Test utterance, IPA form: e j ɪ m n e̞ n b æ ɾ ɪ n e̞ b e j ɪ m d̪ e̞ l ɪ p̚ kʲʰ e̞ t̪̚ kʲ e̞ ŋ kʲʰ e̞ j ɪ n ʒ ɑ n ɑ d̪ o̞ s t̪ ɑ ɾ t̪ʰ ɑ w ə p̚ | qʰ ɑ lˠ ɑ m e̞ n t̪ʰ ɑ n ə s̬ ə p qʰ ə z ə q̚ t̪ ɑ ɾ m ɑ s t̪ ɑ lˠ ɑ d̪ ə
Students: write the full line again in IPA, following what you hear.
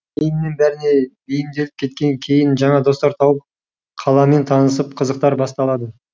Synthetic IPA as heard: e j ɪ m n e̞ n b æ ɾ ɪ n e̞ b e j ɪ m d̪ e̞ l ɪ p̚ kʲʰ e̞ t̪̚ kʲ e̞ ŋ kʲʰ e̞ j ɪ n ʒ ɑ ɴ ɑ d̪ o̞ s t̪ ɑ ɾ t̪ʰ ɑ w ə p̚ | qʰ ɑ lˠ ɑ m e̞ n t̪ʰ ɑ n ə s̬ ə p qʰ ə z ə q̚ t̪ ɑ ɾ b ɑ s t̪ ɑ lˠ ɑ d̪ ə